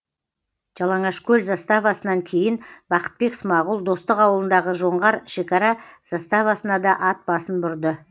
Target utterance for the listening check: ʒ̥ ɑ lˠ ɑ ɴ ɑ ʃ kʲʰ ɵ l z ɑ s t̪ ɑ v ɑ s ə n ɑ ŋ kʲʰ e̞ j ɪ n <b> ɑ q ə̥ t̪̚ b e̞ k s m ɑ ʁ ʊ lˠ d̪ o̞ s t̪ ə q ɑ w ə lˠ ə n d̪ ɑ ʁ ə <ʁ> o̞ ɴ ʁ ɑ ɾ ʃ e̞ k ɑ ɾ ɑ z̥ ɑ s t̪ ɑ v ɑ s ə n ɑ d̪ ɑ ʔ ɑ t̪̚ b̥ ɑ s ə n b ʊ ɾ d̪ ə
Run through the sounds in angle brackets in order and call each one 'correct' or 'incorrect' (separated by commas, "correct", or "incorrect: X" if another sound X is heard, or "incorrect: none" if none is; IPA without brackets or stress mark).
correct, incorrect: ʒ